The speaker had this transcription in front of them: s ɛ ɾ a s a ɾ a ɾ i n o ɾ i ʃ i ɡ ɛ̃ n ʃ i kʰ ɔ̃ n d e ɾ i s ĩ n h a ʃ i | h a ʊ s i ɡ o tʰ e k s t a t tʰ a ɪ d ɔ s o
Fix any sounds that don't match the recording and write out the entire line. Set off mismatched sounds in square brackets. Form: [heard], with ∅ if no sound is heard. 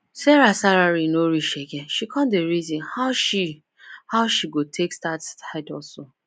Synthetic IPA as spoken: s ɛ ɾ a s a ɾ a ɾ i n o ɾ i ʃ [e] ɡ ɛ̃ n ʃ i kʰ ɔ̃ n d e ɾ i [z] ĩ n h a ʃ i | h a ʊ [ʃ] i ɡ o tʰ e k s t a t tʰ a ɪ d ɔ s o